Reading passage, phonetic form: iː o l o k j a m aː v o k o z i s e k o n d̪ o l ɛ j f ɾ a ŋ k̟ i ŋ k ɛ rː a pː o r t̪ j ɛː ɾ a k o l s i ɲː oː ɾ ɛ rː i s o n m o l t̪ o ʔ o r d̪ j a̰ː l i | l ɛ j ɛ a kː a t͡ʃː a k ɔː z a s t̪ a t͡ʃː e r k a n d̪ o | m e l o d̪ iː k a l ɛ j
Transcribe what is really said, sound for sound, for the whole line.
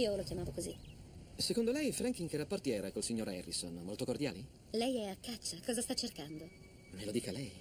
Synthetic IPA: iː o l o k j a m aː v o k o z i s e k o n d̪ o l ɛ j f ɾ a ŋ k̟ i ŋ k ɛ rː a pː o r t̪ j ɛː ɾ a k o l s i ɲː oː ɾ ɛ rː i s o n m o l t̪ o k o r d̪ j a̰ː l i | l ɛ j ɛ a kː a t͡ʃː a k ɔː z a s t̪ a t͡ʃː e r k a n d̪ o | m e l o d̪ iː k a l ɛ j